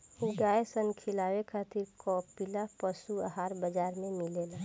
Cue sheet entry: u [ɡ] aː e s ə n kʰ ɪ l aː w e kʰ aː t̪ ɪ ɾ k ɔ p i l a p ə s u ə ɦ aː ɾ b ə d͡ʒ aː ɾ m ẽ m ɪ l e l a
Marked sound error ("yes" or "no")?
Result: no